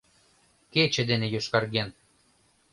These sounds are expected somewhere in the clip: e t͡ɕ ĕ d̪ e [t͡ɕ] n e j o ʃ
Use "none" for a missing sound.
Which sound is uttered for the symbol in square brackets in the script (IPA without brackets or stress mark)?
none